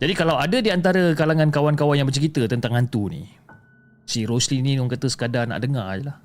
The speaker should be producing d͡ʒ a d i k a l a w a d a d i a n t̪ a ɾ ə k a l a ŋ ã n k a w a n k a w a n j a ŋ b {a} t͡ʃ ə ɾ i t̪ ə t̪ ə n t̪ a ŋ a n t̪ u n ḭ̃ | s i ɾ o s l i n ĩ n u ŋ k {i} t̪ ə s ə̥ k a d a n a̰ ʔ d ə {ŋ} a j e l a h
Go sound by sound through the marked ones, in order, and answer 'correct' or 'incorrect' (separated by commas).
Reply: incorrect, incorrect, correct